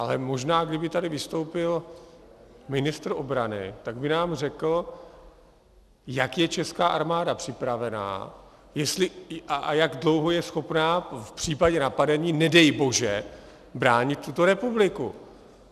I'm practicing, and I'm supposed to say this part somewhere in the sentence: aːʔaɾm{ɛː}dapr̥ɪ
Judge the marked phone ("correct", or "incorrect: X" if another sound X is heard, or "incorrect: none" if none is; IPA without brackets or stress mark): incorrect: aː